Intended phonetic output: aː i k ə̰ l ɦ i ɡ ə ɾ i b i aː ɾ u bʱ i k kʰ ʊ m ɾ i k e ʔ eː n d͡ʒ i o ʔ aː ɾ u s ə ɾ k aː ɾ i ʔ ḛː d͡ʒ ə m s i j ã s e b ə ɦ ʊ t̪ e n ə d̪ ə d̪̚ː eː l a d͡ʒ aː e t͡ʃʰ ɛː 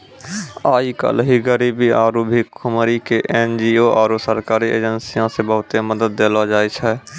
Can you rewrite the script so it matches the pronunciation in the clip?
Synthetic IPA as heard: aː i k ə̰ l ɦ i ɡ ə ɾ i b i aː ɾ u bʱ i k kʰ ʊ m ɾ i k e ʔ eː n d͡ʒ i o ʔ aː ɾ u s ə ɾ k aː ɾ i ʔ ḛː d͡ʒ ə n s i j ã s e b ə ɦ ʊ t̪ e m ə d̪ ə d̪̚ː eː l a d͡ʒ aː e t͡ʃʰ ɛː